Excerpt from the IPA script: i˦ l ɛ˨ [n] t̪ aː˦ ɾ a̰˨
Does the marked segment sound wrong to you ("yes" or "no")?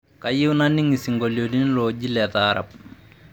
yes